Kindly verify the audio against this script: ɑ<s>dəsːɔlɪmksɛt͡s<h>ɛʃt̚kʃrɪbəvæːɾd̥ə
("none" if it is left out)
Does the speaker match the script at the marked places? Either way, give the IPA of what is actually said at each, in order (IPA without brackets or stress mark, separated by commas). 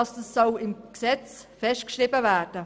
s, f